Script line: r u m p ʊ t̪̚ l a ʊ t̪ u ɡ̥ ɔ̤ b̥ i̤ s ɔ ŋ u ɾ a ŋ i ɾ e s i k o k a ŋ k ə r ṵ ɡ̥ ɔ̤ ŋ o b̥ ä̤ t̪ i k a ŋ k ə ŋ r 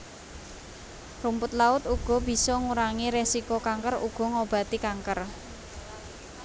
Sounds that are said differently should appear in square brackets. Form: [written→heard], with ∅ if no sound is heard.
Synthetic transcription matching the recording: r u m p ʊ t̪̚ l a ʊ t̪ u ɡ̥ ɔ̤ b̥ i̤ s ɔ ŋ u ɾ a ŋ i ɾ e s i k o k a ŋ k ə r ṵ ɡ̥ ɔ̤ ŋ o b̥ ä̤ t̪ i k a ŋ k ə [ŋ→∅] r

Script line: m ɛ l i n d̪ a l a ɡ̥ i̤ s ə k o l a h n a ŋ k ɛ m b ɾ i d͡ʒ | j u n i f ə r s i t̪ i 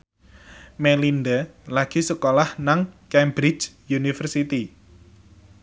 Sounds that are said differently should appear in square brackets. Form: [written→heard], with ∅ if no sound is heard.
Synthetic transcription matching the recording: m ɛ l i n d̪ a l a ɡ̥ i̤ s ə k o l a h n a ŋ k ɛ m b ɾ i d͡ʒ | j u n i f ə r s i t̪ i

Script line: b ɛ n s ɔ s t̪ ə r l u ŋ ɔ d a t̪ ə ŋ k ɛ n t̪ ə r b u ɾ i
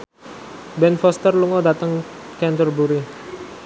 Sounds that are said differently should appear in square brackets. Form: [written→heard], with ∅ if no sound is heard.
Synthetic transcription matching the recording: b ɛ n [s→f] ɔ s t̪ ə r l u ŋ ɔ d a t̪ ə ŋ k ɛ n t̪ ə r b u ɾ i

